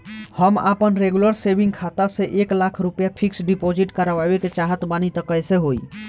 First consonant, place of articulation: glottal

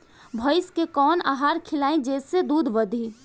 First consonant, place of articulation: labial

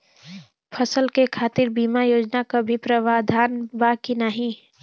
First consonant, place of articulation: labial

